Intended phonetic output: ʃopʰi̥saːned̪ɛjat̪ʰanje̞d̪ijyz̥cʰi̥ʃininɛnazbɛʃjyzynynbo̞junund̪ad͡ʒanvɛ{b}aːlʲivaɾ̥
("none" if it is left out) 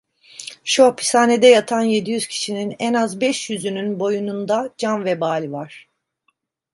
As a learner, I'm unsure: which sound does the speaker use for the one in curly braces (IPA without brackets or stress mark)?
b